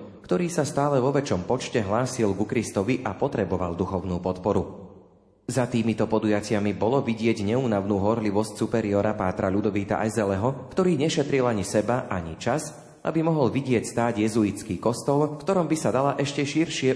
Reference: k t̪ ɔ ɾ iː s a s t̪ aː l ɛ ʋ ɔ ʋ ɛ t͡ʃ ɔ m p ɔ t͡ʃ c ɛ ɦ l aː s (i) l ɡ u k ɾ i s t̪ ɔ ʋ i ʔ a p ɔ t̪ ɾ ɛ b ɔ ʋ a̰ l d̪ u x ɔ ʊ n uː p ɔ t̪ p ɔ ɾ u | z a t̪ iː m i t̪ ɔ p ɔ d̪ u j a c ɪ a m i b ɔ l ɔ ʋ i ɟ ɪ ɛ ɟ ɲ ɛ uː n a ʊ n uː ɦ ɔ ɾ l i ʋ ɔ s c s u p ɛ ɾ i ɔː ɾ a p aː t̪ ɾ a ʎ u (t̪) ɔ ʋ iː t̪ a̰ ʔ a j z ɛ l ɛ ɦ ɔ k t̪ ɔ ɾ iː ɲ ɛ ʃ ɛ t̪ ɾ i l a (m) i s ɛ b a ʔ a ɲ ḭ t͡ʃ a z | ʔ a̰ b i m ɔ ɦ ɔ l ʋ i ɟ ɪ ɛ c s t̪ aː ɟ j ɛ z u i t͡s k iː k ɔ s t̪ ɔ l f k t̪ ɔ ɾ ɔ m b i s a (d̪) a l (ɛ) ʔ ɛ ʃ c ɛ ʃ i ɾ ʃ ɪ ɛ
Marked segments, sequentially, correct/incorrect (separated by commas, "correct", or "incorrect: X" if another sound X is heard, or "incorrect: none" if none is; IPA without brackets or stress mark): correct, incorrect: d̪, incorrect: ɲ, correct, incorrect: a